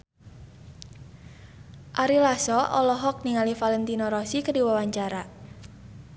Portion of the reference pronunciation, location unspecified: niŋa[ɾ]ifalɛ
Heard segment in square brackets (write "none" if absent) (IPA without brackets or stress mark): l